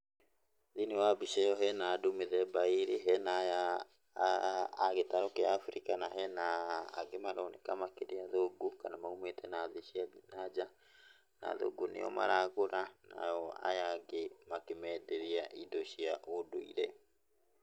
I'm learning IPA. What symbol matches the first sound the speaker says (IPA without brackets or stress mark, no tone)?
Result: ð